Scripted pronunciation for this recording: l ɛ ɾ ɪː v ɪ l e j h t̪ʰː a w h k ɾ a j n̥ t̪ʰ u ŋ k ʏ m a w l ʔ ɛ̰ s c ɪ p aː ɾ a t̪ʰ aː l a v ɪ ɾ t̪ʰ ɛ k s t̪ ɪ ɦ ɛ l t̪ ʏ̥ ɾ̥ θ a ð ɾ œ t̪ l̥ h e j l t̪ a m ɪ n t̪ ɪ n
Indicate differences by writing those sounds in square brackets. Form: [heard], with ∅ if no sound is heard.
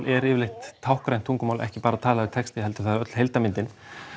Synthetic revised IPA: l ɛ ɾ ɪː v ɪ l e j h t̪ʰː a w h k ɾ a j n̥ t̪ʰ u ŋ k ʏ m a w l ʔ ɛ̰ [h] c ɪ p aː ɾ a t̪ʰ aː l a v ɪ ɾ t̪ʰ ɛ k s t̪ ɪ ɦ ɛ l t̪ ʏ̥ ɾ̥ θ a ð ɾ œ t̪ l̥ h e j l t̪ a m ɪ n t̪ ɪ n